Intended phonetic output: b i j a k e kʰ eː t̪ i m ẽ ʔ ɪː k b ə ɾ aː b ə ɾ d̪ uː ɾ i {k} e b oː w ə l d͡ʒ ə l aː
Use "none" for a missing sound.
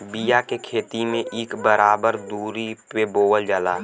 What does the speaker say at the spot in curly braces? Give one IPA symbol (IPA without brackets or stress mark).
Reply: p